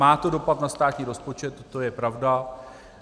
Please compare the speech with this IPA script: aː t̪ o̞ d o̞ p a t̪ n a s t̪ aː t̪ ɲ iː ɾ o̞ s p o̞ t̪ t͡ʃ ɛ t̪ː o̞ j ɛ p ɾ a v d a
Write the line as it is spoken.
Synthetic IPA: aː t̪ o̞ d o̞ p a t̪ n a s t̪ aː t̪ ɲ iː ɾ o̞ s p o̞ t͡ʃ ɛ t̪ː o̞ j ɛ p ɾ a v d a